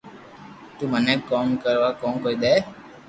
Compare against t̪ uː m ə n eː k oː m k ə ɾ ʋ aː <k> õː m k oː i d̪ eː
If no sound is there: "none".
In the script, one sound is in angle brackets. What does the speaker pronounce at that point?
k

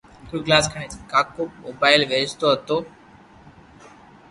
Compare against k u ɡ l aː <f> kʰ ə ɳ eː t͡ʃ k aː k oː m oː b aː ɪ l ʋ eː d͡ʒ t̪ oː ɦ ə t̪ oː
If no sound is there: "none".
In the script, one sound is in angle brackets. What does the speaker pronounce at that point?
s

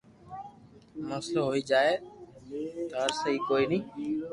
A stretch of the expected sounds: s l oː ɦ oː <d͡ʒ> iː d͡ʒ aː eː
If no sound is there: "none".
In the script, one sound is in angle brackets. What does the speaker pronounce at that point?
none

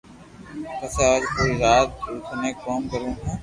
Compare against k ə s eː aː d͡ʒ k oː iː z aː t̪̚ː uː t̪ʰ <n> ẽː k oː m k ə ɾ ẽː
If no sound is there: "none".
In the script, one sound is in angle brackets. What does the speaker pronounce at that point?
n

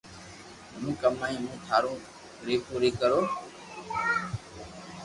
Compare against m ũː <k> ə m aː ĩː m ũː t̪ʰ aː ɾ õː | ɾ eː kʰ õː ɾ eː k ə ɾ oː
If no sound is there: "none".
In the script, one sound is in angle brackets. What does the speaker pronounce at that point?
k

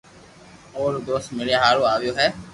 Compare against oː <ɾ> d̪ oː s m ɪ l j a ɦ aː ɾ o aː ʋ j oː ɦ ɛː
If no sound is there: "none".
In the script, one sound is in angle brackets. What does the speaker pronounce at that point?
ɾ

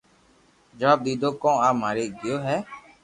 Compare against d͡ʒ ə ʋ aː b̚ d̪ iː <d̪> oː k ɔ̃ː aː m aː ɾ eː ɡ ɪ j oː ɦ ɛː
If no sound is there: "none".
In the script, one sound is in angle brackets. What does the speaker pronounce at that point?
d̪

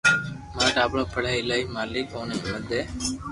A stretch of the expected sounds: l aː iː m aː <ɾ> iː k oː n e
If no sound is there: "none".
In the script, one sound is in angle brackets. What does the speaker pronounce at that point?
l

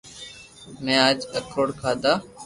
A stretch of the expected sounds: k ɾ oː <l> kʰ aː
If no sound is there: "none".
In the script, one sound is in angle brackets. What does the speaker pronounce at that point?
ɽ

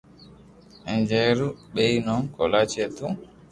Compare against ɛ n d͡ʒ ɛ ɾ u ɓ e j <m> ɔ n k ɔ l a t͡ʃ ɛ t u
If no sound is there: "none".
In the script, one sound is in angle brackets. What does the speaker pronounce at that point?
n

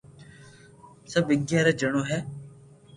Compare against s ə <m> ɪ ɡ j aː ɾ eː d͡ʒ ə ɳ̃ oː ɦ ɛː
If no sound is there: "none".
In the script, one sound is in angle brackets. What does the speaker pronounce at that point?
b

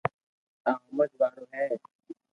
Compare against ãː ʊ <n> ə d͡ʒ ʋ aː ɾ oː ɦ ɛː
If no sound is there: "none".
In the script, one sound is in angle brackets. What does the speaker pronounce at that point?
m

